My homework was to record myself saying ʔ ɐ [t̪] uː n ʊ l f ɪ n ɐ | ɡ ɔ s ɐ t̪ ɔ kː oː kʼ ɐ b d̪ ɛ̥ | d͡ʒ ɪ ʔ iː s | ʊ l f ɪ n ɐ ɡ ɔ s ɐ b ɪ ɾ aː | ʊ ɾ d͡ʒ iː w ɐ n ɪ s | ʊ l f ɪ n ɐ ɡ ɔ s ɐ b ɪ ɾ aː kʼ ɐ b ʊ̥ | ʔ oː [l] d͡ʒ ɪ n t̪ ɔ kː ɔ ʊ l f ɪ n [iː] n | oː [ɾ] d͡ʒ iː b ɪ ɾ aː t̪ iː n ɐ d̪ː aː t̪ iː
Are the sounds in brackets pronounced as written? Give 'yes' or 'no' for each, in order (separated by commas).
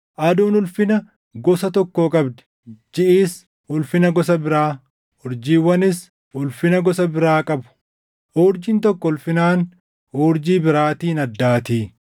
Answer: no, no, no, yes